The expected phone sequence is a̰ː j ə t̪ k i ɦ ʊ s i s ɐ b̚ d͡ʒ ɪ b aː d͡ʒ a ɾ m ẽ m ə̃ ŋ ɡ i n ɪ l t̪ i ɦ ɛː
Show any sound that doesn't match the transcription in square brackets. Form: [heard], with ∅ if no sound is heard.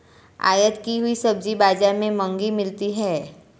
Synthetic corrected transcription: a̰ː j ə t̪ k i ɦ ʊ [∅] i s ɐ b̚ d͡ʒ [i] b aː d͡ʒ a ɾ m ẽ m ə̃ ŋ ɡ i [m] ɪ l t̪ i ɦ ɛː